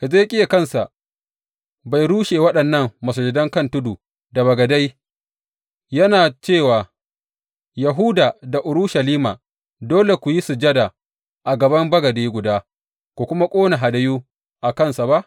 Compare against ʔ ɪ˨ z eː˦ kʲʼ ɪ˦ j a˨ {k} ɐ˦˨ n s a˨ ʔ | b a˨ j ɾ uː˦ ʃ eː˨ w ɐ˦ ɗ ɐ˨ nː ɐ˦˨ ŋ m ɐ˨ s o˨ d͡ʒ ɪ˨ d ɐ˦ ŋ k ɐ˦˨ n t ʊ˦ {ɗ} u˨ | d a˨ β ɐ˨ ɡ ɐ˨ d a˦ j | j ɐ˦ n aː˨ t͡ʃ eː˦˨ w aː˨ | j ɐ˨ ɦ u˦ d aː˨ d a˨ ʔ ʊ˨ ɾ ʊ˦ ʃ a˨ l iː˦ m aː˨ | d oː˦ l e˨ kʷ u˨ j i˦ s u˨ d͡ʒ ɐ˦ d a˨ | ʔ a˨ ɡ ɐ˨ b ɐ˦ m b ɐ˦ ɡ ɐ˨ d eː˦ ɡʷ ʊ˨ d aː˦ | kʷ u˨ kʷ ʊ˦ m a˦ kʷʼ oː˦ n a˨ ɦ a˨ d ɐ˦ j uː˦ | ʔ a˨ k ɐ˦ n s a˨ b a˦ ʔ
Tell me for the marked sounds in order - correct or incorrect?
correct, incorrect: d

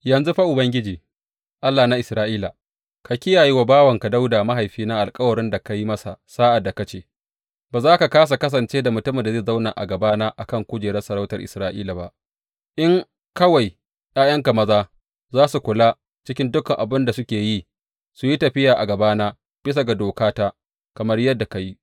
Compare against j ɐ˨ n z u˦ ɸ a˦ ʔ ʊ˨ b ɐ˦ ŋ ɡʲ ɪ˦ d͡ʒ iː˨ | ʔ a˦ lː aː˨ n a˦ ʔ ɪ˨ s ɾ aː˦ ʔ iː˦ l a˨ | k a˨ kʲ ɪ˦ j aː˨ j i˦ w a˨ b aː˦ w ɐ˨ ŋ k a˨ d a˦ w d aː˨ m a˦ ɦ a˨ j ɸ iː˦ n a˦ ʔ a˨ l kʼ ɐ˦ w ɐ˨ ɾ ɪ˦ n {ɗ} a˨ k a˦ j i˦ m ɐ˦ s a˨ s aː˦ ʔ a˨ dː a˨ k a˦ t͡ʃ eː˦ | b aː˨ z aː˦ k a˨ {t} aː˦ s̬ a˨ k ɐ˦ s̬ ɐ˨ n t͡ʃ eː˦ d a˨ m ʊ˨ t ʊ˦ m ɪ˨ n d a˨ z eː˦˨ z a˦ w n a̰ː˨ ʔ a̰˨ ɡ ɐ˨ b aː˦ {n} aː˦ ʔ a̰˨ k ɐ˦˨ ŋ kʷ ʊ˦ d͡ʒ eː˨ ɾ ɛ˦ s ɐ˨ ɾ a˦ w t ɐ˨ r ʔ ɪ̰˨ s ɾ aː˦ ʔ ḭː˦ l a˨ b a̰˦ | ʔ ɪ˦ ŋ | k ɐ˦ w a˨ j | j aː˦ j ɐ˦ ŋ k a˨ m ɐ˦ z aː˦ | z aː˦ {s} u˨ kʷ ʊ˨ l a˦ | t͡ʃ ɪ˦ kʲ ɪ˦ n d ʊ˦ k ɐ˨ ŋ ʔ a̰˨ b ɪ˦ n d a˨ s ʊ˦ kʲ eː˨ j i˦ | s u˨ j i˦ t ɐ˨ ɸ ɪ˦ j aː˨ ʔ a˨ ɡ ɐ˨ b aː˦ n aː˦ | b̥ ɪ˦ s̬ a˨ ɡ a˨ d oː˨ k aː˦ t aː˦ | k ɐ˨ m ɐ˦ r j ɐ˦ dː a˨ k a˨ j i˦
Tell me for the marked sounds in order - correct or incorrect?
incorrect: d, incorrect: k, correct, correct

